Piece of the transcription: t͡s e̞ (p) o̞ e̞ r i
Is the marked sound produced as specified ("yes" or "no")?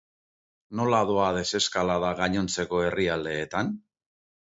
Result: no